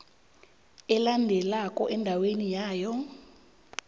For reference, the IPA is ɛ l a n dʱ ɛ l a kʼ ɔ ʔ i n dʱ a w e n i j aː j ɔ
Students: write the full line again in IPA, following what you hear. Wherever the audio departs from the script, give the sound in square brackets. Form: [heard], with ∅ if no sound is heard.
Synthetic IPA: ɛ l a n dʱ ɛ l a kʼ ɔ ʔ [ɛ] n dʱ a w e n i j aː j ɔ

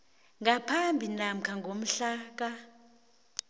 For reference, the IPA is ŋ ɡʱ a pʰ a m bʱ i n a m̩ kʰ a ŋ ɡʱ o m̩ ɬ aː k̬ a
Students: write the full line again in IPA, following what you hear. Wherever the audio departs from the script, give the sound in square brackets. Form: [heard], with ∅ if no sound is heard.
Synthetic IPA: ŋ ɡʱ a pʰ a m bʱ i n a m̩ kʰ a ŋ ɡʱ o m̩ ɬ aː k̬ a

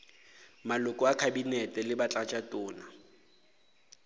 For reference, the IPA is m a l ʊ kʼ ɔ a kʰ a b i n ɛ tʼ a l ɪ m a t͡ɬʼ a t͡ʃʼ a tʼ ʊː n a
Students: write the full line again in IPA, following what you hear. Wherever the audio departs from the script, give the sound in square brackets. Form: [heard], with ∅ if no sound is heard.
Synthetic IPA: m a l ʊ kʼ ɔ a kʰ a b i n ɛ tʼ [ɛ] l ɪ [b] a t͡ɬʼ a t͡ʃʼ a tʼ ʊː n a

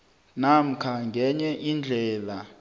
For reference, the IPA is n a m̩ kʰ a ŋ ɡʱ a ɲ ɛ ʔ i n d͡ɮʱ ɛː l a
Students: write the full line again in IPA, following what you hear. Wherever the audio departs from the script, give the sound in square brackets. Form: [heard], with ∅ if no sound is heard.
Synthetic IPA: n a m̩ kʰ a ŋ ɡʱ [ɛ] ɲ ɛ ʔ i n d͡ɮʱ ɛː l a

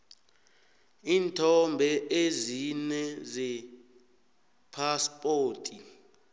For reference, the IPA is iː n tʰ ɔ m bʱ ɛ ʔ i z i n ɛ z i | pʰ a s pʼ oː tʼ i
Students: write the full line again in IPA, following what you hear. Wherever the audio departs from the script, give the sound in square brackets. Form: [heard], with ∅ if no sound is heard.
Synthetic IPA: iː n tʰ ɔ m bʱ ɛ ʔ [e] z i n ɛ z [ɛ] | pʰ a s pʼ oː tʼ i

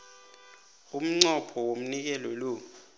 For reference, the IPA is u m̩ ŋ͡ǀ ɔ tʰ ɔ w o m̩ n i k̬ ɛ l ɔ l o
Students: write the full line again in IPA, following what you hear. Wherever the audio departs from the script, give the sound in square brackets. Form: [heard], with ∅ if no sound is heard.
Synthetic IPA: u m̩ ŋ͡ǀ ɔ [pʰ] ɔ w o m̩ n i k̬ ɛ l ɔ l o

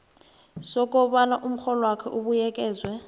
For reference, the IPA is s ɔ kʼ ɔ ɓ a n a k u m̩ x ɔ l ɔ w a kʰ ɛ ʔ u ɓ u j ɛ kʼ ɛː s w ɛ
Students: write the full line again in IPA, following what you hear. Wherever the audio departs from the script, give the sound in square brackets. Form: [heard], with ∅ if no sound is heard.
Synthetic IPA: s ɔ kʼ ɔ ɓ a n a [ʔ] u m̩ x ɔ l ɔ w a kʰ ɛ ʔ u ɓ u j ɛ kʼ ɛː [z] w ɛ

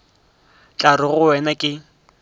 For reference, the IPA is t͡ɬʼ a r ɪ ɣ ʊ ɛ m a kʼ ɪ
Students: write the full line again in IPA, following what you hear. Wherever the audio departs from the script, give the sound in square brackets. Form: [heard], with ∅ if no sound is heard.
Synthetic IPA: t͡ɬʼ a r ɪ ɣ ʊ ɛ [n] a kʼ ɪ

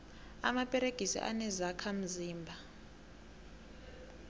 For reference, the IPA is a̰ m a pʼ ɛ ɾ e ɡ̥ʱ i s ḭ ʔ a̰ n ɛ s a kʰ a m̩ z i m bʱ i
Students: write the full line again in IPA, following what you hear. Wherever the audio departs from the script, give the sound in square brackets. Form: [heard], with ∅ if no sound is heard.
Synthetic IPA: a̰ m a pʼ ɛ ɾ e ɡ̥ʱ i s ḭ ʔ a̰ n ɛ [z] a kʰ a m̩ z [iː] m bʱ [a]

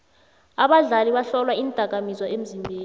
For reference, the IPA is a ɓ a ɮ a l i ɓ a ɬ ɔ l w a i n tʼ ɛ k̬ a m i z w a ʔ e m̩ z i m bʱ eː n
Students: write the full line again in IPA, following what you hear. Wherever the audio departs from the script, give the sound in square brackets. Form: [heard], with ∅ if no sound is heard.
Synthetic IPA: a ɓ a ɮ a l i ɓ a ɬ ɔ l w a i n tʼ [a] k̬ a m i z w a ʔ e m̩ z i m bʱ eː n

